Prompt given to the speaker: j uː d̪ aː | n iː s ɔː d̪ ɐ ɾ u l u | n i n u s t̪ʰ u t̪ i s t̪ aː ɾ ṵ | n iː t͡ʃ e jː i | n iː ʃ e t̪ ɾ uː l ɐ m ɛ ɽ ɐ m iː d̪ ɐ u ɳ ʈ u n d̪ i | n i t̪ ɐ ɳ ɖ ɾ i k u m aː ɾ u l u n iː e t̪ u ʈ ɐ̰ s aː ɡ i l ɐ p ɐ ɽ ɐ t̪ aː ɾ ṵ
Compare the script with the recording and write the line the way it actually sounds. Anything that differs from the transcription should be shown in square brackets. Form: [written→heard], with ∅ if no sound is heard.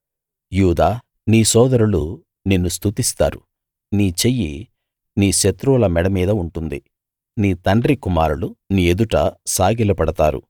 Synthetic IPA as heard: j uː d̪ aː | n iː s ɔː d̪ ɐ ɾ u l u | n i [n→nː] u s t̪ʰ u t̪ i s t̪ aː ɾ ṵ | n iː t͡ʃ e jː i | n iː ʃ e t̪ ɾ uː l ɐ m ɛ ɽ ɐ m iː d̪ ɐ u ɳ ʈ u n d̪ i | n [i→iː] t̪ ɐ ɳ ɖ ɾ i k u m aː ɾ u l u n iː e [t̪→d̪] u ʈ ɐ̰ s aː ɡ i l ɐ p ɐ ɽ ɐ t̪ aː ɾ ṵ